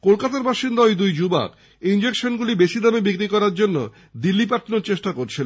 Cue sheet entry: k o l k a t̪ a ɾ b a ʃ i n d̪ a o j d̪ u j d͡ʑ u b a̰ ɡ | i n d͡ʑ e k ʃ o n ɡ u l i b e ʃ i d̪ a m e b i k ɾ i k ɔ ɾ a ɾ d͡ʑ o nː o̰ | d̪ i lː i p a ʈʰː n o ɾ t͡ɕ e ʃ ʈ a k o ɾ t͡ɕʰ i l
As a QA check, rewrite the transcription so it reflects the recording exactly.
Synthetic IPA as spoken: k o l k a t̪ a ɾ b a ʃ i n d̪ a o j d̪ u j d͡ʑ u b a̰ k | i n d͡ʑ e k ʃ o n ɡ u l i b e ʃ i d̪ a m e b i k ɾ i k ɔ ɾ a ɾ d͡ʑ o nː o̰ | d̪ i lː i p a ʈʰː n o ɾ t͡ɕ e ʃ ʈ a k o ɾ t͡ɕʰ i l